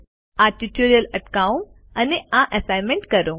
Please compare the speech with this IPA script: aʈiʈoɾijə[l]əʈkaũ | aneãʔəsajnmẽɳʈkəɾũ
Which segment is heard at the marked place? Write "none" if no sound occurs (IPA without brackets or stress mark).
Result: l